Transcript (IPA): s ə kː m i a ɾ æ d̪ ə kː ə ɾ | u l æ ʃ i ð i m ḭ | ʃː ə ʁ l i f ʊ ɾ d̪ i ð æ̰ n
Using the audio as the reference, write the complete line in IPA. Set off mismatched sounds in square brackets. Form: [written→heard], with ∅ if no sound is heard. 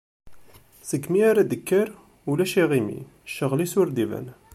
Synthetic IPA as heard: s ə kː m i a ɾ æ d̪ ə kː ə ɾ | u l æ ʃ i [ð→ʁ] i m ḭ | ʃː ə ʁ l i [f→s] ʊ ɾ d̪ i [ð→v] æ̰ n